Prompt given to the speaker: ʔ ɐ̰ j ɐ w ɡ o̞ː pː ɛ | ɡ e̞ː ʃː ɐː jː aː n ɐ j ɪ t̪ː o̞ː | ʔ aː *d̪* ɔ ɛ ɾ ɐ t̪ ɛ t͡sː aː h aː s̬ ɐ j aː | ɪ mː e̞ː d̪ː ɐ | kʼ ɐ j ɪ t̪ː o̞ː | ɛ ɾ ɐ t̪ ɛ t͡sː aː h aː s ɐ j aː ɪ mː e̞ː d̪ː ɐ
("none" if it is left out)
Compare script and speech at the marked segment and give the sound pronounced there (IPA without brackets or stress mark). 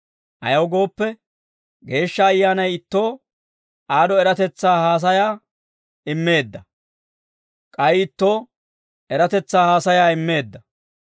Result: d̪